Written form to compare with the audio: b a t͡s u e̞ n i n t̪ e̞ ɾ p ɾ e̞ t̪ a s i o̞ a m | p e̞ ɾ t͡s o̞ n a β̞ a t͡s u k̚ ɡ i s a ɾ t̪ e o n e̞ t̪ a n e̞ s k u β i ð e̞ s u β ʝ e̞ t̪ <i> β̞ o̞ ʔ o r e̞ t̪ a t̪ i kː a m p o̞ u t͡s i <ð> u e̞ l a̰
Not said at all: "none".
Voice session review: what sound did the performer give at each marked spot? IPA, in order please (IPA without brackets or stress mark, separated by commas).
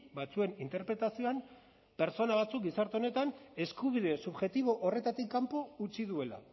i, ð